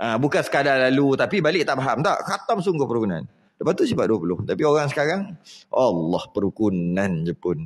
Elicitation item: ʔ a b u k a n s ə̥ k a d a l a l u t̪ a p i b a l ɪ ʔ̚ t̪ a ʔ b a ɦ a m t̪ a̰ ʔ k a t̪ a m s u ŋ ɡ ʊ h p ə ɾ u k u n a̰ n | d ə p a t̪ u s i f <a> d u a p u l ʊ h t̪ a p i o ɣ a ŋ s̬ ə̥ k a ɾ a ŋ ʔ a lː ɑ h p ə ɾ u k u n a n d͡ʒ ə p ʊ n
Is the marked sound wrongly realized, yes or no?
no